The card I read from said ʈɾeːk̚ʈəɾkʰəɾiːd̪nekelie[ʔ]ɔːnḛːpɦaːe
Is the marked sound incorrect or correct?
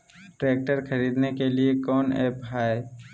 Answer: incorrect